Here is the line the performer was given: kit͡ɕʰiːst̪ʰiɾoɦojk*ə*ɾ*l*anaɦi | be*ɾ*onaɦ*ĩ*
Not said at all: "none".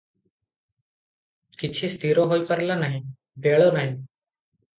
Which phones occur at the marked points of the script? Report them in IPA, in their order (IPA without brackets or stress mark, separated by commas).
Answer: ə, l, ɭ, i